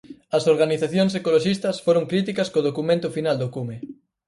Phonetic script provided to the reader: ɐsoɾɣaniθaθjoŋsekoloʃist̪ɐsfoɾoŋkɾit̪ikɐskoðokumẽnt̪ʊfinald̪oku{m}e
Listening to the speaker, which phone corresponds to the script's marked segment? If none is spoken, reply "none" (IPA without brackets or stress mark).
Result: m